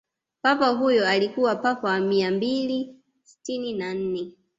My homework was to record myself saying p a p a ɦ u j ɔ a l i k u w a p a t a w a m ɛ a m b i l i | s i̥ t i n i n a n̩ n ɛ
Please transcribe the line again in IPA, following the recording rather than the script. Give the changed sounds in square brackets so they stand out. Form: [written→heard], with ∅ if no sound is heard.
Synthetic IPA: p a p a ɦ u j ɔ a l i k u w a p a [t→p] a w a m [ɛ→i] a m b i l i | s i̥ t i n i n a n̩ n ɛ